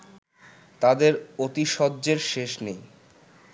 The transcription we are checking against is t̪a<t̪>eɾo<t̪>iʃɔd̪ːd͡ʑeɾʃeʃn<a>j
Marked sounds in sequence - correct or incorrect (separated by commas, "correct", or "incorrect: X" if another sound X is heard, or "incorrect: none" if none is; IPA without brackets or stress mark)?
incorrect: d̪, correct, incorrect: e